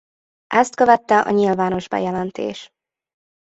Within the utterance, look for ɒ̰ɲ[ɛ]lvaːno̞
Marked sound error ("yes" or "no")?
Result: yes